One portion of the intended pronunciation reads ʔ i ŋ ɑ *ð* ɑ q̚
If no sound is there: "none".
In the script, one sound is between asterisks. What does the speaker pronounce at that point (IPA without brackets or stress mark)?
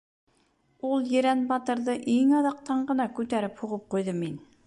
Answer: ð